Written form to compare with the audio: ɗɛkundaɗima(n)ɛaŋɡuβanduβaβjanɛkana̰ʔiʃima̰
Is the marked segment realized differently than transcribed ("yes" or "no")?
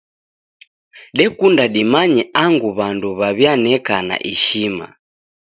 yes